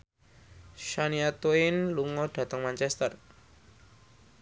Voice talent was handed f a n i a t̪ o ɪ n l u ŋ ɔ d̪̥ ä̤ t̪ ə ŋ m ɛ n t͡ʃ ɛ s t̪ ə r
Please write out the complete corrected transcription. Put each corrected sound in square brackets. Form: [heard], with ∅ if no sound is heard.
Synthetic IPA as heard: [ʃ] a n i a t̪ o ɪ n l u ŋ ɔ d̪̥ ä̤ t̪ ə ŋ m [a] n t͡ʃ ɛ s t̪ ə r